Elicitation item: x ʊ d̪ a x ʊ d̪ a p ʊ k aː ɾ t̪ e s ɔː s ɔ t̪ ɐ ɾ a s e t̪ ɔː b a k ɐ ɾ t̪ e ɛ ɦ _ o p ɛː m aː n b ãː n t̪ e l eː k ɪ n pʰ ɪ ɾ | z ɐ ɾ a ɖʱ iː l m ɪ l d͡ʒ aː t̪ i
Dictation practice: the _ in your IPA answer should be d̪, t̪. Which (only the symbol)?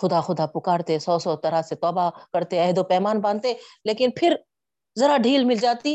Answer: d̪